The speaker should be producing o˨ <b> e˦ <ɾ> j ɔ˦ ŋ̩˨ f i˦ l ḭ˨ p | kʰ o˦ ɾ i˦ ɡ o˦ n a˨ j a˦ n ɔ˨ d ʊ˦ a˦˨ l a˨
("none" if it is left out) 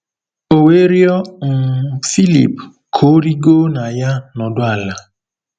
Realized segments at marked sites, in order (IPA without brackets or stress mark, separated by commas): w, ɾ